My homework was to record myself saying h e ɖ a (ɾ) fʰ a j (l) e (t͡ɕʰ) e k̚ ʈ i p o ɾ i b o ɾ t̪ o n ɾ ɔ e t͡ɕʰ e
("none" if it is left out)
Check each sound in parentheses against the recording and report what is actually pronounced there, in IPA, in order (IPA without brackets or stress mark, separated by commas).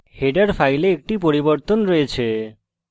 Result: ɾ, l, none